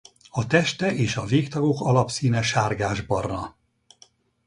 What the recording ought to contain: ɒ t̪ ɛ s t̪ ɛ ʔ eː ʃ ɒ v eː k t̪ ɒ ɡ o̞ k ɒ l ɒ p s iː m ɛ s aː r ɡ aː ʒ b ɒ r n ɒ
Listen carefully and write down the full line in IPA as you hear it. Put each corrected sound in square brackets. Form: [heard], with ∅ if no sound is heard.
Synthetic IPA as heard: ɒ t̪ ɛ [ʃ] t̪ ɛ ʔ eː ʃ ɒ v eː k t̪ ɒ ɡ o̞ k ɒ l ɒ p s iː [n] ɛ [ʃ] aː r ɡ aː ʒ b ɒ r n ɒ